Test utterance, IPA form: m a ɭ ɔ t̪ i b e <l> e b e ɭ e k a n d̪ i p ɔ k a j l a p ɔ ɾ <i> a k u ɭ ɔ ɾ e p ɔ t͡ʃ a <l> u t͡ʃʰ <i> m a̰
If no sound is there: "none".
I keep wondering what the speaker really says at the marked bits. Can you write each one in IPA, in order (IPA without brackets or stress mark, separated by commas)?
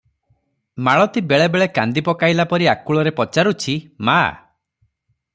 ɭ, i, ɾ, i